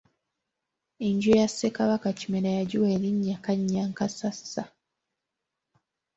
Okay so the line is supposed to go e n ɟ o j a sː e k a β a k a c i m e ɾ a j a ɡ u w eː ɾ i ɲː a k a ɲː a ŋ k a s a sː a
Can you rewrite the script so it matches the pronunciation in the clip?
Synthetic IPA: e ɲ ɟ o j a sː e k a β a k a c i m e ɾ a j a ɟ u w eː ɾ i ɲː a k a ɲː a ŋ k a s a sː a